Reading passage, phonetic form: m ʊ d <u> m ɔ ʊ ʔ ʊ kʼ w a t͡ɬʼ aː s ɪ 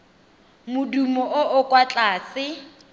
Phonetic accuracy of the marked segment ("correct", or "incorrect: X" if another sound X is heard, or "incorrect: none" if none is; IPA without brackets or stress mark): correct